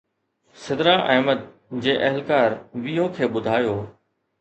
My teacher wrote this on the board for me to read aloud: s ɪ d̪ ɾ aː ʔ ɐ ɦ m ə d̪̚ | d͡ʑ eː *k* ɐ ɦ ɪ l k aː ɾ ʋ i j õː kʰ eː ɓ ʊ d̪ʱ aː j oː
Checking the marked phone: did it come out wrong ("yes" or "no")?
yes